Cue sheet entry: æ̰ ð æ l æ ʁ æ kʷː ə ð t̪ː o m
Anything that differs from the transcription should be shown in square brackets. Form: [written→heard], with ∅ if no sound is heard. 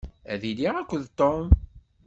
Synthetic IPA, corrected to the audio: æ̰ ð [æ→i] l [æ→i] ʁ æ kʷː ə ð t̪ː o m